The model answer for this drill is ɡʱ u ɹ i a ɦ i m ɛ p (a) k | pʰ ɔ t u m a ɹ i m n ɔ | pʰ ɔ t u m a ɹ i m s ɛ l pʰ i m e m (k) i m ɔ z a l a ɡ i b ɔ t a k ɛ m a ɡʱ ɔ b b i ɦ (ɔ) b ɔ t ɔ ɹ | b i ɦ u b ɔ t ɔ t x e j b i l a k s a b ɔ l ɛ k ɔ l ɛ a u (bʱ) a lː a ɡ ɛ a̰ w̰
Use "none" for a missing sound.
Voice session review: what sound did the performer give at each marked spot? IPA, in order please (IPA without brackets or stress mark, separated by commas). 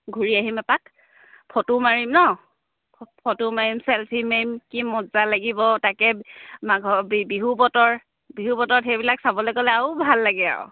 a, k, u, bʱ